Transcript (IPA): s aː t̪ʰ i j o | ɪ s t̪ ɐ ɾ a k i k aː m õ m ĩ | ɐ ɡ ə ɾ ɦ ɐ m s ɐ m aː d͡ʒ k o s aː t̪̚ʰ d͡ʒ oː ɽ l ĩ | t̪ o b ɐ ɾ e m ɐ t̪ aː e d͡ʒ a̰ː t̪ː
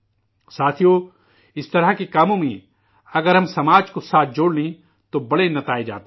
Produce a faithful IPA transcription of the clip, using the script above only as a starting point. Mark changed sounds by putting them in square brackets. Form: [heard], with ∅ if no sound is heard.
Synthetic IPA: s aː t̪ʰ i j o | ɪ s t̪ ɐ ɾ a k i k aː m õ m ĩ | ɐ ɡ ə ɾ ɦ ɐ m s ɐ m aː d͡ʒ k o s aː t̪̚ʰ d͡ʒ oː ɽ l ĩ | t̪ o b ɐ [ɽ] e [n] ɐ t̪ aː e d͡ʒ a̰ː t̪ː